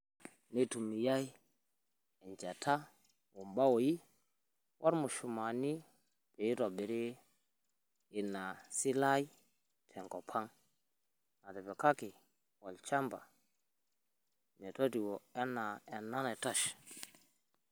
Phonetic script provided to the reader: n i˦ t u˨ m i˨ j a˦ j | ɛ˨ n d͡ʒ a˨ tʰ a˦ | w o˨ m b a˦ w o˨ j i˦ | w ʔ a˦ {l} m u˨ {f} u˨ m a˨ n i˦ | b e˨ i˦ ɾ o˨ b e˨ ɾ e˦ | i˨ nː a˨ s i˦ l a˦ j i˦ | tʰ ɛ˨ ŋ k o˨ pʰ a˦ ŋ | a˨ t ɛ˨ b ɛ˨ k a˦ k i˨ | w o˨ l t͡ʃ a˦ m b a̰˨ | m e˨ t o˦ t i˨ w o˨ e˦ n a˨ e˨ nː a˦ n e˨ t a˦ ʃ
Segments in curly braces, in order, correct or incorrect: incorrect: ɾ, incorrect: ʃ

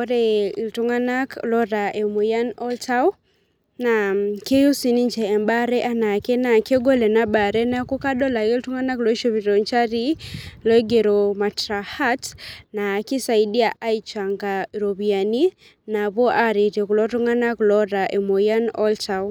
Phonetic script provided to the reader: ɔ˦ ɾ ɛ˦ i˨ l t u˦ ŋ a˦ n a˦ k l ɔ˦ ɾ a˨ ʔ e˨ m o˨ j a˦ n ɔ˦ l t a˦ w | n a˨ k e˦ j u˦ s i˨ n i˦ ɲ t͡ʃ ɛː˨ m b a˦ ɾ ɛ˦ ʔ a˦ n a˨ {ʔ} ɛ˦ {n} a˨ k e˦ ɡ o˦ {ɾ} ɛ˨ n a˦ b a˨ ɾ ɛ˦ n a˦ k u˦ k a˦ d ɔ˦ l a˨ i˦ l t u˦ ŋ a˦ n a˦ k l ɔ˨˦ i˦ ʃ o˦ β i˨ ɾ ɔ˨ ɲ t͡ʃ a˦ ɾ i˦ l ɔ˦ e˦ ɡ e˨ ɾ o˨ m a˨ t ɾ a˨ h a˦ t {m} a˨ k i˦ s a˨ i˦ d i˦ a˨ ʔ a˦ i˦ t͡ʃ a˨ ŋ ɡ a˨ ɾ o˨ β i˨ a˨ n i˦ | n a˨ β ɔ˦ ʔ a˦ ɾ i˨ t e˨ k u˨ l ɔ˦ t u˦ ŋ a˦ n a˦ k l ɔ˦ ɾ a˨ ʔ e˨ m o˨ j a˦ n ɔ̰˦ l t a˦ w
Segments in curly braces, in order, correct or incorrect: incorrect: k, correct, incorrect: l, incorrect: n

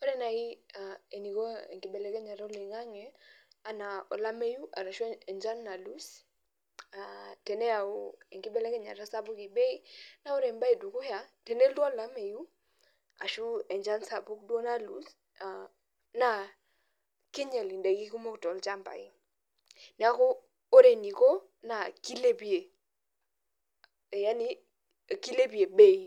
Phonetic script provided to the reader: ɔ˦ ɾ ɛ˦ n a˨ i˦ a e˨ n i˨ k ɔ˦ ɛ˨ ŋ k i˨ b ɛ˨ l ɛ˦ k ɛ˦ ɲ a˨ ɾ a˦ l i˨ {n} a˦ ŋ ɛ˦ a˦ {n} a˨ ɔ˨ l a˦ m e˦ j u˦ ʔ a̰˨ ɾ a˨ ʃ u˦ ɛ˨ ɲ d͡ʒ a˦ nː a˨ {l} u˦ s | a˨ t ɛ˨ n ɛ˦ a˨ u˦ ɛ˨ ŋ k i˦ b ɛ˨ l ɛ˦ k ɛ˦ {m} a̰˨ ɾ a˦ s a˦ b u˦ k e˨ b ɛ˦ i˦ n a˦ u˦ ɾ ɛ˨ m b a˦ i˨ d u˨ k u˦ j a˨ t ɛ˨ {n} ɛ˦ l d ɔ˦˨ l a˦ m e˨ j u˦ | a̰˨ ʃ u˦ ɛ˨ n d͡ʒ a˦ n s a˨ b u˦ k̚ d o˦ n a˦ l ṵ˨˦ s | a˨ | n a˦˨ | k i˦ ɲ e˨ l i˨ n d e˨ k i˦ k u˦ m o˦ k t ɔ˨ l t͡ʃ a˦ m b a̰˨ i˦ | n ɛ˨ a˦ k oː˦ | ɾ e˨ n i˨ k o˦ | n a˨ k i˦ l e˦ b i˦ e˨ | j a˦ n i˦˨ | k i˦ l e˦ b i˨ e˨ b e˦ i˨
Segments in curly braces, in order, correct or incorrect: incorrect: ŋ, correct, correct, incorrect: ɲ, correct

